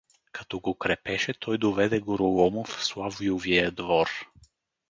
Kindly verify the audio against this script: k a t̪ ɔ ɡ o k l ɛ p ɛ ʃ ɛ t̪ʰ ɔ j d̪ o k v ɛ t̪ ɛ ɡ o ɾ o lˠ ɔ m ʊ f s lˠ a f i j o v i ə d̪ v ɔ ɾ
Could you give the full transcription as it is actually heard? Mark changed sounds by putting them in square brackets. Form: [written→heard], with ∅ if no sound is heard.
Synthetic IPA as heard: k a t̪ ɔ ɡ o k [l→ɾ] ɛ p ɛ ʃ ɛ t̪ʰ ɔ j d̪ o [k→∅] v ɛ [t̪→d̪] ɛ ɡ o ɾ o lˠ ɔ m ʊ f s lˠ a [f→v] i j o v i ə d̪ v ɔ ɾ